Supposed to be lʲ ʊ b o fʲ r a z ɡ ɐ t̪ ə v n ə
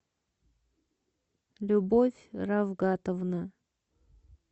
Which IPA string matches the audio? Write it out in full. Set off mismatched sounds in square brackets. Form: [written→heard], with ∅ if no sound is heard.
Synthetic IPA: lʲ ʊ b o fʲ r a [z→v] ɡ [ɐ→a] t̪ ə v n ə